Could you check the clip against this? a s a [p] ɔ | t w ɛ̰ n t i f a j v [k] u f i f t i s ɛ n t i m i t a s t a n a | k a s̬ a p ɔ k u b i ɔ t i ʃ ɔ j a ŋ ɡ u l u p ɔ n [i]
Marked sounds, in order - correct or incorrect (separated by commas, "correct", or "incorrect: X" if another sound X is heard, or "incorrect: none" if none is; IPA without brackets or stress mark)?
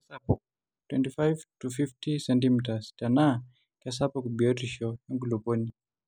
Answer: correct, incorrect: t, correct